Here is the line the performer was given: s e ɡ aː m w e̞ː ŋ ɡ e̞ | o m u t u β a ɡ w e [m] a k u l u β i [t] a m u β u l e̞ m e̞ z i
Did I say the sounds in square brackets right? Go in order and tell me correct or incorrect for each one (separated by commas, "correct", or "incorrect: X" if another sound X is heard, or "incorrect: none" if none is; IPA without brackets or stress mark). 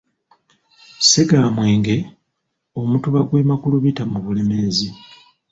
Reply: correct, correct